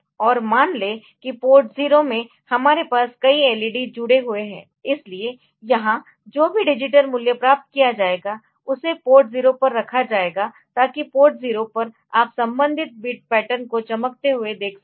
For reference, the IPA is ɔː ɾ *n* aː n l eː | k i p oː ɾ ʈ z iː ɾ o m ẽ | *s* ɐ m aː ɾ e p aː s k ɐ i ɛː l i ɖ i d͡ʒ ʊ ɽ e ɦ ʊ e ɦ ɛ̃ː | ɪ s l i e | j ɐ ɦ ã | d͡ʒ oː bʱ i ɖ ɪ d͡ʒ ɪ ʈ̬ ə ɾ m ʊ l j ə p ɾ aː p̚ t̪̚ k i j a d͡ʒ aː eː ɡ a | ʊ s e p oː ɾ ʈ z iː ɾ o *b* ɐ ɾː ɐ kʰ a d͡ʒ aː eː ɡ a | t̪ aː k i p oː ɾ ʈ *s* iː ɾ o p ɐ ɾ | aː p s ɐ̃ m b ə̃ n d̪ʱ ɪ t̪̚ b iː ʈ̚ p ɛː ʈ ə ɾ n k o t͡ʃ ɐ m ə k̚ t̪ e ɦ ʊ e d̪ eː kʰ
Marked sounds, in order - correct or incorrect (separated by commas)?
incorrect, incorrect, incorrect, incorrect